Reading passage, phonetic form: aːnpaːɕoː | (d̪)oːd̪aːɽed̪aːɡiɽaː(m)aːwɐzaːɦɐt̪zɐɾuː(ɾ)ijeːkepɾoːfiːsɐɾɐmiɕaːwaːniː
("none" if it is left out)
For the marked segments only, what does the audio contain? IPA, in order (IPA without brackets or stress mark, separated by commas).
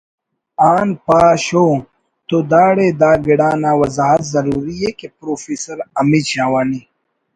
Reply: t̪, n, ɾ